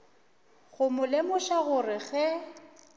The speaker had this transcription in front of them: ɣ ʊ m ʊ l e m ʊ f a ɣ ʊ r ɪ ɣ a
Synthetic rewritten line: ɣ ʊ m ʊ l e m ʊ ʃ a ɣ ʊ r ɪ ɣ ɛ